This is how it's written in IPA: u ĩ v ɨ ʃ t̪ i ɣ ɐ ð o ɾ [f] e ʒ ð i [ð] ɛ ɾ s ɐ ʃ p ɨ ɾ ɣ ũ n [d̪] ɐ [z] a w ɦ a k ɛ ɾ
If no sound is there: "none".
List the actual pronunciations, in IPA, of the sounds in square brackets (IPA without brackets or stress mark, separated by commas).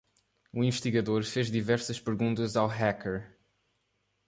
f, v, t̪, z